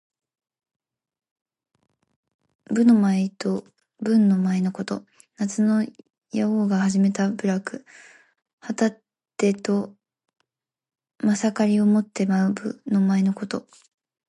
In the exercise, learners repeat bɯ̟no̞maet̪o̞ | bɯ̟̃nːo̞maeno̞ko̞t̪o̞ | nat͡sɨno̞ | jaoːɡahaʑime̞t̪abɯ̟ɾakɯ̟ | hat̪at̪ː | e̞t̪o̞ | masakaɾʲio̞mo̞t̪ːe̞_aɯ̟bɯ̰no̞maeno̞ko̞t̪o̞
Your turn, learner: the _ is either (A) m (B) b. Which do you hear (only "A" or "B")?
A